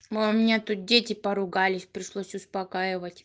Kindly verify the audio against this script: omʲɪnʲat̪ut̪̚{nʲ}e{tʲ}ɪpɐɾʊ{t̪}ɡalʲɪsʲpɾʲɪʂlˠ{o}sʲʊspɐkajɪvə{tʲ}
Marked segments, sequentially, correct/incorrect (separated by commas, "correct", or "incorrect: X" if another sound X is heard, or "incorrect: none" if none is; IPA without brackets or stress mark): incorrect: dʲ, correct, incorrect: none, correct, correct